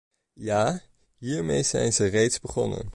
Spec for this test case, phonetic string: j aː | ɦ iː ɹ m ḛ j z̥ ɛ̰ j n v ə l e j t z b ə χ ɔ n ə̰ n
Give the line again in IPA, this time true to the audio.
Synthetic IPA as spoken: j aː | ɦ iː ɹ m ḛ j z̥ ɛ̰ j n z ə r e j t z b ə χ ɔ n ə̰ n